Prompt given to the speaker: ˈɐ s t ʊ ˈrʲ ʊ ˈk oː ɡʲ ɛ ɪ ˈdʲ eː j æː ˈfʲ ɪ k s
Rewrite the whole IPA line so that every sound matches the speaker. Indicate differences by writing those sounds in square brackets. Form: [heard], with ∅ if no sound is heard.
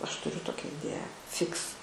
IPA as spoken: ˈɐ [ʃ] t ʊ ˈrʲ ʊ [ˈt] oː [kʲ] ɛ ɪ ˈdʲ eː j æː ˈfʲ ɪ k s